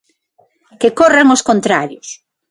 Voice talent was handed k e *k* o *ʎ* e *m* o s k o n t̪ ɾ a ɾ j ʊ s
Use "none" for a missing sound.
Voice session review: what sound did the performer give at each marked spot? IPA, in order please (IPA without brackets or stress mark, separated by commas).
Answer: k, r, ŋ